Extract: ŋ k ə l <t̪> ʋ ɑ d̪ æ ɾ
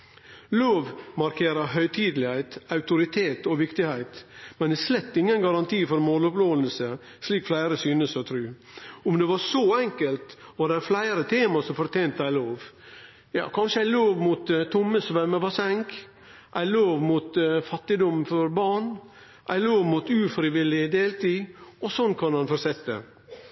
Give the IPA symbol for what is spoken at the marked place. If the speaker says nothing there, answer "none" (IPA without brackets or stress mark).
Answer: t̪